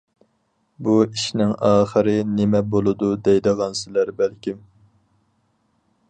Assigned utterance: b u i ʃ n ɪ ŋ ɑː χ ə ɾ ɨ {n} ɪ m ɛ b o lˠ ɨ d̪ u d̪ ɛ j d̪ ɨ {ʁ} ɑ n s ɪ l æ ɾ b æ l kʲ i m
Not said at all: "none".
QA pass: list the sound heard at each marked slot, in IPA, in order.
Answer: n, ʁ

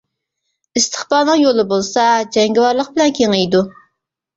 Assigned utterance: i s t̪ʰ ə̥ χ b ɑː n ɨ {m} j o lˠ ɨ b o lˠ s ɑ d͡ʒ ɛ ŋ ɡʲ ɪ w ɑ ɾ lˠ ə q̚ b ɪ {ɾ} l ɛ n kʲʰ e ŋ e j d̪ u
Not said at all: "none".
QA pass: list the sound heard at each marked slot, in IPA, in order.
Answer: ŋ, none

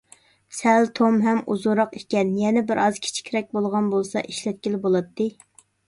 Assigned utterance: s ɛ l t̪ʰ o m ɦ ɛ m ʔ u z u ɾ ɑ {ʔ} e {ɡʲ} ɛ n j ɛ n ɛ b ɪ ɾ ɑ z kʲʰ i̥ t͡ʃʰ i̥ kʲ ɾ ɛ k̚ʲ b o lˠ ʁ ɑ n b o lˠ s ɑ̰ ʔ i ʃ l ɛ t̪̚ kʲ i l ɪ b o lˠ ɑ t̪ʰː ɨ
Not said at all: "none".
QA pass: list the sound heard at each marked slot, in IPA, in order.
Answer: q, kʲ

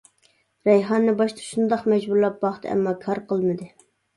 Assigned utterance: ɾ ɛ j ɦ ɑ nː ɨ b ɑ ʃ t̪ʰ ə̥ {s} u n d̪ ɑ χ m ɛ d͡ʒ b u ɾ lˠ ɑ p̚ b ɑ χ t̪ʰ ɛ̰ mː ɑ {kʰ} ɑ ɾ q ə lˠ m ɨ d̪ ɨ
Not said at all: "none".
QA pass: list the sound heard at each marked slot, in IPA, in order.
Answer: ʃ, kʰ

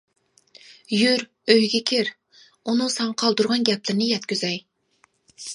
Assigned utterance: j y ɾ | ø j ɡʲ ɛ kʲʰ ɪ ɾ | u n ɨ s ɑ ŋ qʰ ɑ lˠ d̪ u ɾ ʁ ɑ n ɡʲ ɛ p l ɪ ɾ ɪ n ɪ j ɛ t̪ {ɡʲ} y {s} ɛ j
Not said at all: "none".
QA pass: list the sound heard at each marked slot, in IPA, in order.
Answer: kʲ, z

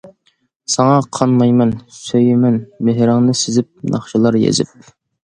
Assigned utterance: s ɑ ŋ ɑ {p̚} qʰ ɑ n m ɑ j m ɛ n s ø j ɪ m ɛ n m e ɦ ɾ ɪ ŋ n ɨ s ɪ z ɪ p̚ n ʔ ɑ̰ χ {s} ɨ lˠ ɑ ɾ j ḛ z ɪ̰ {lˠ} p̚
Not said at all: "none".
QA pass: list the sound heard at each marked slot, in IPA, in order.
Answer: none, ʃ, none

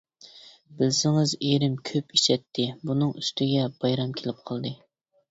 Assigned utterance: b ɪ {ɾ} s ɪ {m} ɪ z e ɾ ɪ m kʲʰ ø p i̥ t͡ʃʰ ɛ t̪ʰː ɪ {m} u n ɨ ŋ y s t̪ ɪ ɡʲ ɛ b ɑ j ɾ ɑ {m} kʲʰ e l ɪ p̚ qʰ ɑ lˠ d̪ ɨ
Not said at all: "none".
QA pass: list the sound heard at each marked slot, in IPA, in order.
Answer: l, ŋ, b, m

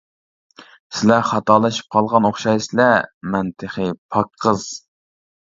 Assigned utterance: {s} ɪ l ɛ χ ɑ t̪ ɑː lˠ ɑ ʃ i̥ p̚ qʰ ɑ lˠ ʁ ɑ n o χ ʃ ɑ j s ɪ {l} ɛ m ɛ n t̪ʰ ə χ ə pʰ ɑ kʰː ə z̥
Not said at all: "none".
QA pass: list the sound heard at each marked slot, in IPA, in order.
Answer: s, l

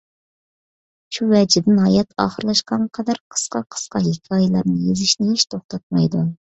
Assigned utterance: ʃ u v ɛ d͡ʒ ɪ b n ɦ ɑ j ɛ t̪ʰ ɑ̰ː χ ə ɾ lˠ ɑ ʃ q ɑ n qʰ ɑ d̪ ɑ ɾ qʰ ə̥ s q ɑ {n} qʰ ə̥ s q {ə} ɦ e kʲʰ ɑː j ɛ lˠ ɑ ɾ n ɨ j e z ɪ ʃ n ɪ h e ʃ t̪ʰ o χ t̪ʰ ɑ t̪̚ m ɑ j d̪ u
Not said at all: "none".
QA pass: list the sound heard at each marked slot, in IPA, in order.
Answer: none, ɑ

